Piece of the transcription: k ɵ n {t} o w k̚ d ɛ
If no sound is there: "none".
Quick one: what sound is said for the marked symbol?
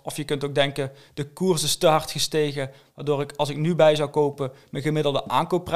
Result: t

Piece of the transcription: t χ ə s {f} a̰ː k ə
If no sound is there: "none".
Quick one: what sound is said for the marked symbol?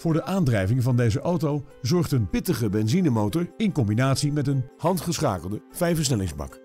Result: χ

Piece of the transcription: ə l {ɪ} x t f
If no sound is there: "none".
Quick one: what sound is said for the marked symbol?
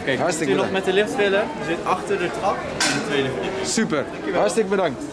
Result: ɪ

